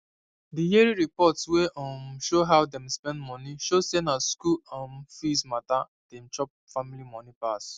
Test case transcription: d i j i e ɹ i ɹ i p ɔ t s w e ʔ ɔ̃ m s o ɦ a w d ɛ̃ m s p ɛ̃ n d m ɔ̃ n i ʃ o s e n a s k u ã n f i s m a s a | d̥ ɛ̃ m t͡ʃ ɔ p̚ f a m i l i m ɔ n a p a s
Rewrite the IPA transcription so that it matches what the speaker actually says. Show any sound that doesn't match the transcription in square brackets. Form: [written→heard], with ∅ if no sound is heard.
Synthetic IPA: d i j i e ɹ i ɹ i p ɔ t s w e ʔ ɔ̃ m [s→ʃ] o ɦ a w d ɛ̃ m s p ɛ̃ n d m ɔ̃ n i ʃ o s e n a s k u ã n f i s m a [s→t] a | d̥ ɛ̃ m t͡ʃ ɔ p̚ f a m i l i m ɔ n [a→i] p a s